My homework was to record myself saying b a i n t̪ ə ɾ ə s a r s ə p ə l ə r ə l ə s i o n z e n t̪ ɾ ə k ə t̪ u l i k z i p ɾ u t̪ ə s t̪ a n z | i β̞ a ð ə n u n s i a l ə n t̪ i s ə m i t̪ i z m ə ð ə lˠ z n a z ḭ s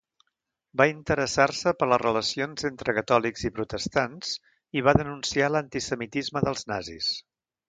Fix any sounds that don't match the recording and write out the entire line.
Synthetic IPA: b a i n t̪ ə ɾ ə s a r s ə p ə l ə r ə l ə s i o n z e n t̪ ɾ ə k ə t̪ ɔ l i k z i p ɾ u t̪ ə s t̪ a n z | i β̞ a ð ə n u n s i a l ə n t̪ i s ə m i t̪ i z m ə ð ə lˠ z n a z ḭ s